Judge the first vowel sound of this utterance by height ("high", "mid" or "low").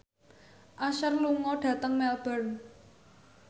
low